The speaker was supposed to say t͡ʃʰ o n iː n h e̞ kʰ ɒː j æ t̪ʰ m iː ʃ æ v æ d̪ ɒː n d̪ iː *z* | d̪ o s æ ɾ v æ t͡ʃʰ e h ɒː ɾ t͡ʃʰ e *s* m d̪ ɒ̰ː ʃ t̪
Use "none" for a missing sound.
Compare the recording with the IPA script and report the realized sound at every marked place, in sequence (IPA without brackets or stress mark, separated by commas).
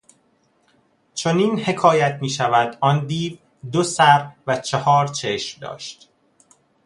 v, ʃ